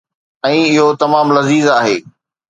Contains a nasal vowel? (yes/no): yes